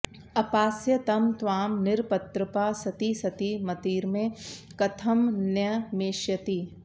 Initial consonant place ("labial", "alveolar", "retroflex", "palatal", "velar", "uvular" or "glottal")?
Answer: labial